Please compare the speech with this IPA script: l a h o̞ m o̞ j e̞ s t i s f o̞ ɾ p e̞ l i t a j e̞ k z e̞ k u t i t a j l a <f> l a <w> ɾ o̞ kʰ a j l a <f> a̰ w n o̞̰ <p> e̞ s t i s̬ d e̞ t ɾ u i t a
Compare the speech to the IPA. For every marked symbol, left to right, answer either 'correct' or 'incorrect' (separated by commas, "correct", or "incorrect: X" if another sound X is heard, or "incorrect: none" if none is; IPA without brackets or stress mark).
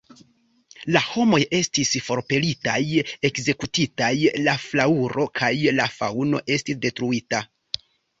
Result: correct, incorrect: u, correct, incorrect: ʔ